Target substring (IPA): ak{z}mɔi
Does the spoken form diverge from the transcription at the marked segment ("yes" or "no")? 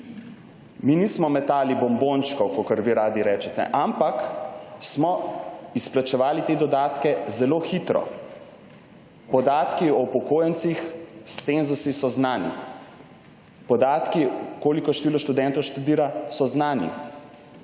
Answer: yes